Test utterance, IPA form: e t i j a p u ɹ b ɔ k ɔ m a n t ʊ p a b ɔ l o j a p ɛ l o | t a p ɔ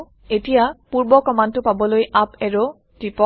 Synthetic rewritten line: e t i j a p u ɹ b ɔ k ɔ m a n t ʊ p a b ɔ l o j a p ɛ ɹ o | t i p ɔ